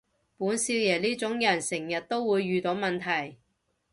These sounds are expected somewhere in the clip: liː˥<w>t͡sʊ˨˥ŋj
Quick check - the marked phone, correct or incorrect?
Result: incorrect